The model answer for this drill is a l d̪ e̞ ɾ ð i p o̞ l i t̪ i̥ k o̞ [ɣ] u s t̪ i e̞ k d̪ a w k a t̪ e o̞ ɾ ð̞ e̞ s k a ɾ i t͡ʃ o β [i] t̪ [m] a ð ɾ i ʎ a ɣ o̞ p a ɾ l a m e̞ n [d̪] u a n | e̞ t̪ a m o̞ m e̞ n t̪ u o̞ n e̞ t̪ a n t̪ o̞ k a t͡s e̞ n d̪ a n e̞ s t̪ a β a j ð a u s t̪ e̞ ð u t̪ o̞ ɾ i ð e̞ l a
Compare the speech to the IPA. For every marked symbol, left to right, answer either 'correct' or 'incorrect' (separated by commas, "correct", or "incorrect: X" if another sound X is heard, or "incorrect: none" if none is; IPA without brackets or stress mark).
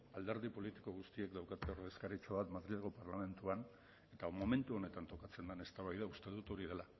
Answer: correct, incorrect: a, correct, incorrect: t̪